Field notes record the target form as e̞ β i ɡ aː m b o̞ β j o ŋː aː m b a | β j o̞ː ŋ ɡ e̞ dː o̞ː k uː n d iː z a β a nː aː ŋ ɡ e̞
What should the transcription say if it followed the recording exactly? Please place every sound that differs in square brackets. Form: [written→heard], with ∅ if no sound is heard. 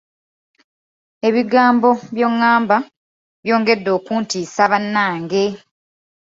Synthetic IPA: e̞ β i ɡ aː m b o̞ β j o ŋː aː m b a | β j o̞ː ŋ ɡ e̞ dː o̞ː k uː n [d→t] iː [z→s] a β a nː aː ŋ ɡ e̞